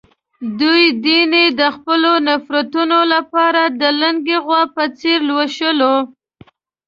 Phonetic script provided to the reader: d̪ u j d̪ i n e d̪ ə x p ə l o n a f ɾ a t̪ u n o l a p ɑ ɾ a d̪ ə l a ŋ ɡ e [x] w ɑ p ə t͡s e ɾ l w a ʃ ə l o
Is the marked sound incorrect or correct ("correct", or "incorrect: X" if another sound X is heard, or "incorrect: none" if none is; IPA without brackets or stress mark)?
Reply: incorrect: ɣ